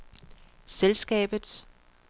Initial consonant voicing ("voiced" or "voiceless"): voiceless